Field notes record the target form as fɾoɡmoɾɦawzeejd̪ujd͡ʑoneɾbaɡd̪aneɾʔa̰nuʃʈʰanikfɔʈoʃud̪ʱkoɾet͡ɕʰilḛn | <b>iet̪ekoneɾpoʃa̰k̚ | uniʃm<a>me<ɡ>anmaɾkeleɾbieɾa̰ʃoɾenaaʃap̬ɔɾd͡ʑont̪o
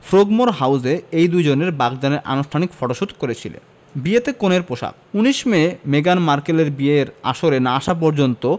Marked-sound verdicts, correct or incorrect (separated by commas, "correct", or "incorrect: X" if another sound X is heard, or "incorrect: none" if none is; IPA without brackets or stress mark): correct, incorrect: e, correct